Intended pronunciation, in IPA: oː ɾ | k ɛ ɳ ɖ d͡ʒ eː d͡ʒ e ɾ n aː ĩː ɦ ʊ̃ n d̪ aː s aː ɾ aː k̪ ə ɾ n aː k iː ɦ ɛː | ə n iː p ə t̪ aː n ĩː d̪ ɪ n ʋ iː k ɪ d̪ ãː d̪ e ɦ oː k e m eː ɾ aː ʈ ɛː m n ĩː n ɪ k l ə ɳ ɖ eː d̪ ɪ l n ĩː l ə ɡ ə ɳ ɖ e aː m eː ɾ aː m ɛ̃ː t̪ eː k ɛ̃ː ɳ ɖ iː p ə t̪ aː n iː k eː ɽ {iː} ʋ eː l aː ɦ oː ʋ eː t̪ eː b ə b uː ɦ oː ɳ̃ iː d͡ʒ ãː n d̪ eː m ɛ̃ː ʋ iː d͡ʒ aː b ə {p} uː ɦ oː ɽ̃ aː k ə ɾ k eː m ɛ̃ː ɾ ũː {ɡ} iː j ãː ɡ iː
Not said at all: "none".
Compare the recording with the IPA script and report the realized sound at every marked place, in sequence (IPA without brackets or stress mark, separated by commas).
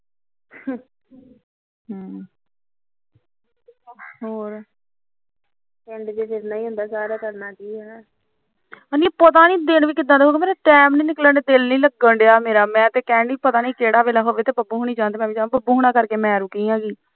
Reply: aː, b, k